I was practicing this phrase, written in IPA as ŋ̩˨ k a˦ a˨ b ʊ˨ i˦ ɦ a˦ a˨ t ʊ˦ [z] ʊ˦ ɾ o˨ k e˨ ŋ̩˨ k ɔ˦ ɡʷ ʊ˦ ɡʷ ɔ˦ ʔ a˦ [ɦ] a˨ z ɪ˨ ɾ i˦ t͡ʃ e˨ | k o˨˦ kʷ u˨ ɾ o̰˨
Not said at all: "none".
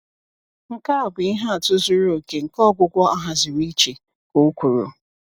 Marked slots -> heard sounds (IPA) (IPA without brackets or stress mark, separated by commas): z, ɦ